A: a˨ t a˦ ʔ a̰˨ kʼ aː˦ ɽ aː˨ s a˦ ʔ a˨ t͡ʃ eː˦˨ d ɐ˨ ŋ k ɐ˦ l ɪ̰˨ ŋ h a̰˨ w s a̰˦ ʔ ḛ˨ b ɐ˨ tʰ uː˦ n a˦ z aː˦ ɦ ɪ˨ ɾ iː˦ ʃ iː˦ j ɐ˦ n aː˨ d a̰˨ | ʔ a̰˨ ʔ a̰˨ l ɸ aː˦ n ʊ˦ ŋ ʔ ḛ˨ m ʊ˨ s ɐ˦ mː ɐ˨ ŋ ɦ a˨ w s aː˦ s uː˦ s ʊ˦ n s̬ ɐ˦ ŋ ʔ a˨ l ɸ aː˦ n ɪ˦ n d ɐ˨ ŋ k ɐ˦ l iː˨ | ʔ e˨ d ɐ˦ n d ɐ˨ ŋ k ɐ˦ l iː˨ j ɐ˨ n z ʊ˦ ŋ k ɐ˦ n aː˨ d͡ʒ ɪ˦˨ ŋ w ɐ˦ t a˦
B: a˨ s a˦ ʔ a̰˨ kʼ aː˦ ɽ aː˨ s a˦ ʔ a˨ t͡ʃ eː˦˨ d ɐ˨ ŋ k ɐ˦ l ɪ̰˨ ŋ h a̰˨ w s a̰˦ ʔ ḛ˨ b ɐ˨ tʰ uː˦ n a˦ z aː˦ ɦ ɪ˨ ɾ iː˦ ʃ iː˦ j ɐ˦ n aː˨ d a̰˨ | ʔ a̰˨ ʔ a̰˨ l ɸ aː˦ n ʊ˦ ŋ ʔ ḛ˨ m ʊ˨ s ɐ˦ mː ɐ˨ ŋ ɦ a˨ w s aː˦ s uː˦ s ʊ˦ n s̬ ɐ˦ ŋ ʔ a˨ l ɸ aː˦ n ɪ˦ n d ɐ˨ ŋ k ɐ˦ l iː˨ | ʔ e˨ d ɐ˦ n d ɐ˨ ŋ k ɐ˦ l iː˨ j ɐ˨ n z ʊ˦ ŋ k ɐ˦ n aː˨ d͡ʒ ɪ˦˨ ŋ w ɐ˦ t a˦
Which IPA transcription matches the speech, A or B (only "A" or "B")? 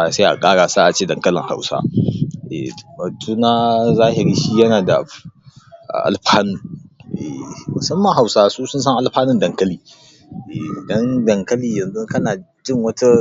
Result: B